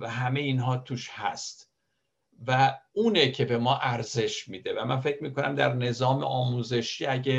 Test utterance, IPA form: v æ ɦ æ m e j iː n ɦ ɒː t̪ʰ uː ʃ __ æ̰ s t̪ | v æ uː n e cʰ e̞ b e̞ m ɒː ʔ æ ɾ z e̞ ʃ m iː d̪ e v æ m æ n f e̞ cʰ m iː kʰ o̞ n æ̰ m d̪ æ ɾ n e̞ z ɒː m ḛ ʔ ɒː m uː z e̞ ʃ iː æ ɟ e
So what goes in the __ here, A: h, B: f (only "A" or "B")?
A